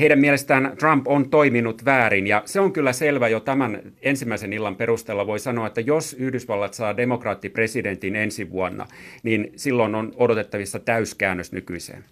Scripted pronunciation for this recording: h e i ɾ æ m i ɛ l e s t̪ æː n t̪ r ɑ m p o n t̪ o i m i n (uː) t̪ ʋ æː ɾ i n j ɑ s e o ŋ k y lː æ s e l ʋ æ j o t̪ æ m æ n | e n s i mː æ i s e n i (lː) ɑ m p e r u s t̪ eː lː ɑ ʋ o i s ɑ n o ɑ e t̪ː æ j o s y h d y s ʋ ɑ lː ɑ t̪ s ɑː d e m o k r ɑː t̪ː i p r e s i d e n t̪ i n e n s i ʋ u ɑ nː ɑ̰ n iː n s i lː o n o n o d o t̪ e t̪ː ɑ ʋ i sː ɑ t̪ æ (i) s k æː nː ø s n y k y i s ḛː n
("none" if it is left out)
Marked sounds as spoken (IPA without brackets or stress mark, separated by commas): u, lː, y